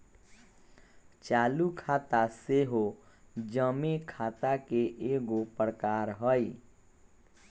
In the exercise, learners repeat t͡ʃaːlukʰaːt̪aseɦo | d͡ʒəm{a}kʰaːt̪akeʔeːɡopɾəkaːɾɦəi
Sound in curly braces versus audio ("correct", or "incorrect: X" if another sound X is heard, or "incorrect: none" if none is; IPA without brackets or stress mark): incorrect: e